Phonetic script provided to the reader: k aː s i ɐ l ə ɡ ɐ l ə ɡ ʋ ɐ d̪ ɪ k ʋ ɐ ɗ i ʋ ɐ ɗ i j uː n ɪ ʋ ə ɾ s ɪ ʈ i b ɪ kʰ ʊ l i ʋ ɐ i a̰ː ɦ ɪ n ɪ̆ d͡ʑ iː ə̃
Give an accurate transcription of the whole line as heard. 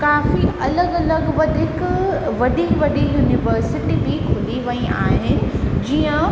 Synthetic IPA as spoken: k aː f i ɐ l ə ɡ ɐ l ə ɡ ʋ ɐ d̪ ɪ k ʋ ɐ ɗ i ʋ ɐ ɗ i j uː n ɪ ʋ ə ɾ s ɪ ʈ i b i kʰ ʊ l i ʋ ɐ i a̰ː ɦ ɪ n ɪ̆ d͡ʑ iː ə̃

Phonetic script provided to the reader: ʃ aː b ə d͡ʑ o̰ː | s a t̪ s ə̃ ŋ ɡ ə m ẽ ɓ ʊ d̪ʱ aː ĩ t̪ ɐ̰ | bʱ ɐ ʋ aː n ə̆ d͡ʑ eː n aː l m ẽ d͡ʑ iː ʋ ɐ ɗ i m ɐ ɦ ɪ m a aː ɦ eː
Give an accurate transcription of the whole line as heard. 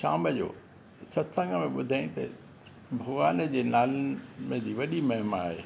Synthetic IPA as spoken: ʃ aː m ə d͡ʑ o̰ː | s ɐ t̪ s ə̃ ŋ ɡ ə m ẽ ɓ ʊ d̪ʱ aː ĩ t̪ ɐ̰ | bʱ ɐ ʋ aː n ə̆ d͡ʑ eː n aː l m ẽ d͡ʑ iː ʋ ɐ ɗ i m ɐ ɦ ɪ m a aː ɦ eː

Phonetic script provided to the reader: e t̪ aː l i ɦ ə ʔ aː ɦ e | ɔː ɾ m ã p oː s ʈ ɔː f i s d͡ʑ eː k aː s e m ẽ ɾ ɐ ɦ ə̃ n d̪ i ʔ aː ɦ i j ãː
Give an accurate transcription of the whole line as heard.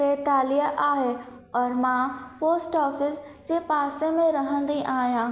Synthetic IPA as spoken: e t̪ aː l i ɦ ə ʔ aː ɦ e | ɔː ɾ m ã p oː s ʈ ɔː f ɪ s d͡ʑ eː p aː s e m ẽ ɾ ɐ ɦ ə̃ n d̪ i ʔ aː ɦ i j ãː

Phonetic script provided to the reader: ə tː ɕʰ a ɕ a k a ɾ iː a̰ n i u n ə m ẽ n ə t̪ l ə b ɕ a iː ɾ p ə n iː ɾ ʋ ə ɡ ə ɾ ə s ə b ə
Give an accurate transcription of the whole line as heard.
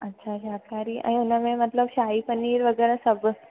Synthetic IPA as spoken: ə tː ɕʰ a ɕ a k a ɾ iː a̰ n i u n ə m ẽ m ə t̪ l ə b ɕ a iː p ə n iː ɾ ʋ ə ɡ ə ɾ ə s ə b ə

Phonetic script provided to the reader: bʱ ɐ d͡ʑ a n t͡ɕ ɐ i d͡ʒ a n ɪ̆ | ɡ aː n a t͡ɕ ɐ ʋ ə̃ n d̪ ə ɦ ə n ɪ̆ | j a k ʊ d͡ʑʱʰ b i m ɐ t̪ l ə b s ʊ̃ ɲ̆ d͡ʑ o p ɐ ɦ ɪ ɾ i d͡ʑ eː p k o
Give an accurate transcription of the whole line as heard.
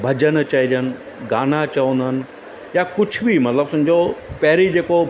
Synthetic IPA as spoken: bʱ ɐ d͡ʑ ə n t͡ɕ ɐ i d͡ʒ ə n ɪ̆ | ɡ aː n a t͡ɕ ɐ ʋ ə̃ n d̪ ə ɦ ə n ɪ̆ | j a k ʊ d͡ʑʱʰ b i m ɐ t̪ l ə b s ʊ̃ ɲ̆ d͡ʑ o p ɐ ɦ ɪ ɾ i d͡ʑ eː k o

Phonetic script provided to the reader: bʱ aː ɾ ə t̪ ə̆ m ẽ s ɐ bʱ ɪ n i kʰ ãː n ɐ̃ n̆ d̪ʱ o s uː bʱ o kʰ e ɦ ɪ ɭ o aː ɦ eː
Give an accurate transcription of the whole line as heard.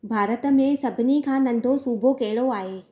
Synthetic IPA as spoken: bʱ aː ɾ ə t̪ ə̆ m ẽ s ɐ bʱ ɪ n i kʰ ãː n ɐ̃ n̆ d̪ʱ o s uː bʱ o k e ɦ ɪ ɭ o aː ɦ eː

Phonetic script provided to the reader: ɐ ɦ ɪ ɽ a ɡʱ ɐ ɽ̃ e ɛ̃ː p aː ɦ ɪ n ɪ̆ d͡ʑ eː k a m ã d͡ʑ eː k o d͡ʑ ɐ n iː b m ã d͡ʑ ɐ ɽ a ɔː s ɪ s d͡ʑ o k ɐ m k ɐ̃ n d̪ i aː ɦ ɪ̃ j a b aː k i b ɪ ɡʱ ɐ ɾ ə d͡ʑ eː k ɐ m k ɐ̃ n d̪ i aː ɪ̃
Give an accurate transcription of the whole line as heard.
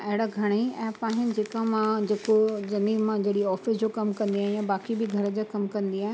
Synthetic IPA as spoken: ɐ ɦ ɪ ɽ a ɡʱ ɐ ɽ̃ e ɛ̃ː p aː ɦ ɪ n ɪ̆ d͡ʑ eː k a m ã d͡ʑ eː k o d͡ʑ ɐ n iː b m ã d͡ʑ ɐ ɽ i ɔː f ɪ s d͡ʑ o k ɐ m k ɐ̃ n d̪ i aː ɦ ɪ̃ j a b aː k i b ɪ ɡʱ ɐ ɾ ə d͡ʑ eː k ɐ m k ɐ̃ n d̪ i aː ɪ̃

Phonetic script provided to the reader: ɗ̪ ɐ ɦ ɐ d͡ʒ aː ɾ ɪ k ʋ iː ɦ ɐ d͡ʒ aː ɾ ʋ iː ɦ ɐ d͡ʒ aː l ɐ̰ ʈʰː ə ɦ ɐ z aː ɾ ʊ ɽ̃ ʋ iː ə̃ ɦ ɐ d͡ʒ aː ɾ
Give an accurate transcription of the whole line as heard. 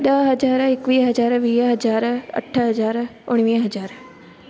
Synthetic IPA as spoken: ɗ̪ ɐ ɦ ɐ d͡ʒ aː ɾ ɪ k ʋ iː ɦ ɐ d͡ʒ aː ɾ ʋ iː ɦ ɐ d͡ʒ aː ɾ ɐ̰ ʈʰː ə ɦ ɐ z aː ɾ ʊ ɽ̃ ʋ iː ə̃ ɦ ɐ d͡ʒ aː ɾ

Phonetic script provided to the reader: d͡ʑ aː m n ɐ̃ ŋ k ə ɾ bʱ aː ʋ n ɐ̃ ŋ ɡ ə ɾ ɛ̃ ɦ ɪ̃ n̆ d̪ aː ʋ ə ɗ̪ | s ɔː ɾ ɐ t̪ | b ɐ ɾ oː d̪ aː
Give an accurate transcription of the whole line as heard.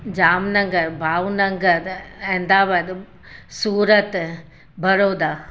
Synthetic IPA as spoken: d͡ʑ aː m n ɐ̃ ŋ ɡ ə ɾ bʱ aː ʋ n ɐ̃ ŋ ɡ ə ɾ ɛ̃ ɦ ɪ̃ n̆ d̪ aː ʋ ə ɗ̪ | s uː ɾ ə t̪ | b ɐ ɾ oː d̪ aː

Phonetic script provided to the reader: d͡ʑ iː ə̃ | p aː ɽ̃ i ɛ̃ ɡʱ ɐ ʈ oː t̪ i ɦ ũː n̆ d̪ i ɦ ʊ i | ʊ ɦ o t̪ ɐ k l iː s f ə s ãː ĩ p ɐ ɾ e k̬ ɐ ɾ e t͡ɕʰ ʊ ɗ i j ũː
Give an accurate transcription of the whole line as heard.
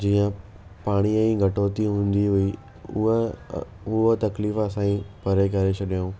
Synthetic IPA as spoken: d͡ʑ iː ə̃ | p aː ɽ̃ i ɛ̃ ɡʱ ɐ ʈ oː t̪ i ɦ ũː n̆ d̪ i ɦ ʊ i | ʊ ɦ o t̪ ɐ k l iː f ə s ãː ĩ p ɐ ɾ e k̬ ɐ ɾ e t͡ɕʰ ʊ ɗ i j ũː

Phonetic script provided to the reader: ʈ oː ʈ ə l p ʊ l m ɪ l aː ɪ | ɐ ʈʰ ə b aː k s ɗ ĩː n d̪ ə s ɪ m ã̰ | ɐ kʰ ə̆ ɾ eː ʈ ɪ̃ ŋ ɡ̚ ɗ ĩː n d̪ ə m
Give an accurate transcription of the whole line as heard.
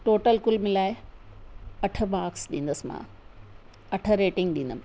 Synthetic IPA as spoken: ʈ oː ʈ ə l k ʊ l m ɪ l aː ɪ | ɐ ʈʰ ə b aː k s ɗ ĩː n d̪ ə s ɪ m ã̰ | ɐ ʈʰ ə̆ ɾ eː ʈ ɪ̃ ŋ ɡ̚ ɗ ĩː n d̪ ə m

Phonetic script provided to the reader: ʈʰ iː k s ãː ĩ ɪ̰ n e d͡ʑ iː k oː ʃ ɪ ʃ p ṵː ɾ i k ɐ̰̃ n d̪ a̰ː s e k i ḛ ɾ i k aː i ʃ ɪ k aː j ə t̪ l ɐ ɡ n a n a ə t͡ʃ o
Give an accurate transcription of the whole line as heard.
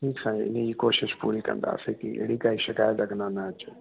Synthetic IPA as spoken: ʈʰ iː k s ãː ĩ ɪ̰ n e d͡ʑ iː k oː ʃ ɪ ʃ p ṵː ɾ i k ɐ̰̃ n d̪ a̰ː s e k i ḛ ɽ i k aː i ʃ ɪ k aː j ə t̪ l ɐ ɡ n a n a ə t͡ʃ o

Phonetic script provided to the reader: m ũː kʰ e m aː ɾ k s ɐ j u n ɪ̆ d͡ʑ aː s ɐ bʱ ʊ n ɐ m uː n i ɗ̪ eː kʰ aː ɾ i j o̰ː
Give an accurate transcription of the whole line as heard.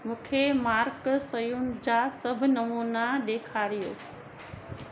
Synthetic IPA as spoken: m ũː kʰ e m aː ɾ k s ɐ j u n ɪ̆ d͡ʑ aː s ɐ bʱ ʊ n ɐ m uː n a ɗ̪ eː kʰ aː ɾ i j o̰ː

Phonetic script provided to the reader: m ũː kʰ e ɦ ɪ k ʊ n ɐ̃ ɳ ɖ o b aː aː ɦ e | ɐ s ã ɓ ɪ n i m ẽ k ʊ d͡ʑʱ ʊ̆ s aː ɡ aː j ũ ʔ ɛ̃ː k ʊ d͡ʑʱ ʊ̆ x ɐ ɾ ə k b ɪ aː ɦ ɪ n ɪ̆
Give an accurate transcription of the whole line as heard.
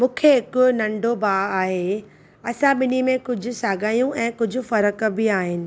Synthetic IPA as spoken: m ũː kʰ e ɦ ɪ k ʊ n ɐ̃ ɳ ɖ o b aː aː ɦ e | ɐ s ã ɓ ɪ n i m ẽ k ʊ d͡ʑʱ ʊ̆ s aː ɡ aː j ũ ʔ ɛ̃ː k ʊ d͡ʑʱ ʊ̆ f ɐ ɾ ə k b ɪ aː ɦ ɪ n ɪ̆

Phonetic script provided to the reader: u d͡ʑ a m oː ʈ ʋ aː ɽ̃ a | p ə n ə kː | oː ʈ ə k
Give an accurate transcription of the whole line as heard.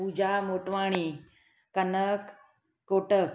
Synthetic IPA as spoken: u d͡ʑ a m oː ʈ ʋ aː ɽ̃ i | k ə n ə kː | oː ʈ ə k

